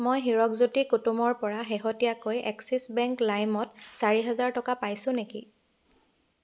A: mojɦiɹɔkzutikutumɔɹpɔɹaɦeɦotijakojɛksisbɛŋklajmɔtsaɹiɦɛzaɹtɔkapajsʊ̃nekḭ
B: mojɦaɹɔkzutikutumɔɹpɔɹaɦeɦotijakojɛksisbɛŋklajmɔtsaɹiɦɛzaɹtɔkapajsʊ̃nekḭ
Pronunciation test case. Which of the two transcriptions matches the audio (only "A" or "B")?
A